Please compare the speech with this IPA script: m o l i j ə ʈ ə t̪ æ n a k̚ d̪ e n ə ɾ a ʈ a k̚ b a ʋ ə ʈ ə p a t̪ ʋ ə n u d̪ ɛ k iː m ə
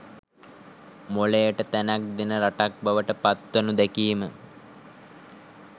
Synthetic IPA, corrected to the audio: m o l e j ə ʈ ə t̪ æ n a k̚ d̪ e n ə ɾ a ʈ a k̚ b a ʋ ə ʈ ə p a t̪ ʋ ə n u d̪ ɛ k iː m ə